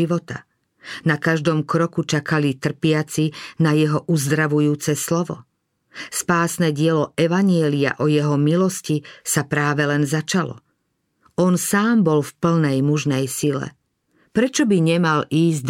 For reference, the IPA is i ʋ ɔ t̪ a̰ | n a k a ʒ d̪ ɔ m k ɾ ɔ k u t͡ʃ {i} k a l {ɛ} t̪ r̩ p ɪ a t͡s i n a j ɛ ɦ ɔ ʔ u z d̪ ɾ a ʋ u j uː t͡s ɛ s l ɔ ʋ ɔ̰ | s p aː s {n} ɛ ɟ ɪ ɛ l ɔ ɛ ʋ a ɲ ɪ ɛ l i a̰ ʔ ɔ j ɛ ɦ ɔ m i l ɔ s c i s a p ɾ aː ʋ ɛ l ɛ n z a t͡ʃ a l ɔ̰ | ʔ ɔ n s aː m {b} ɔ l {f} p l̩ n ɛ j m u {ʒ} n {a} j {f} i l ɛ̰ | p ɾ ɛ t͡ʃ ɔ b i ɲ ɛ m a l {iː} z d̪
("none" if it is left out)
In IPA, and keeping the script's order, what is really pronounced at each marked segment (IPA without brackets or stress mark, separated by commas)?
a, i, n, b, f, ʒ, ɛ, s, iː